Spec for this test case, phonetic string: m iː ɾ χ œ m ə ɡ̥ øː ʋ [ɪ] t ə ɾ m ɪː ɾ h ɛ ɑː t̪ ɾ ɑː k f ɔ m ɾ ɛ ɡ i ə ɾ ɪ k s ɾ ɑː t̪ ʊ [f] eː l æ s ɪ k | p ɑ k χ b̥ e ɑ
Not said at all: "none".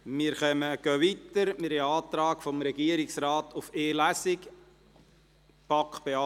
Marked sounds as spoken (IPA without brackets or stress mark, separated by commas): i, f